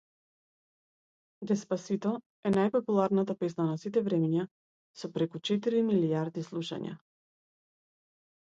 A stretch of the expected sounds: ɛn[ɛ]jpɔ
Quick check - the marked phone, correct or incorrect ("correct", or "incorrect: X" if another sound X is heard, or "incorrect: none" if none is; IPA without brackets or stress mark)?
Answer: incorrect: a